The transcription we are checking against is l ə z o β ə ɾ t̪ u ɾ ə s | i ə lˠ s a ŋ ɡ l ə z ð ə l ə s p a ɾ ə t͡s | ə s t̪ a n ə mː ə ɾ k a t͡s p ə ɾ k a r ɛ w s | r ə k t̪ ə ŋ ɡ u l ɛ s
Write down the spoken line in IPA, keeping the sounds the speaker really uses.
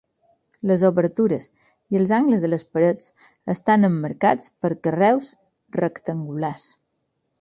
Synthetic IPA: l ə z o β ə ɾ t̪ u ɾ ə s | i ə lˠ z a ŋ ɡ l ə z ð ə l ə s p ə ɾ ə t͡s | ə s t̪ a n ə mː ə ɾ k a t͡s p ə ɾ k ə r ɛ w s | r ə k t̪ ə ŋ ɡ u l a s